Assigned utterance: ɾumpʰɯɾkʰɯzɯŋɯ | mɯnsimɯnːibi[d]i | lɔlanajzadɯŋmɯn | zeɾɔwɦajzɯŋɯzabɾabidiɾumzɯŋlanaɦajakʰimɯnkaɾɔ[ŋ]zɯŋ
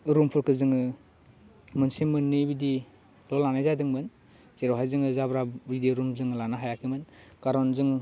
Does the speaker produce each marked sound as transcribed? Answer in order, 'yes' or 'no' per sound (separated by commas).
yes, no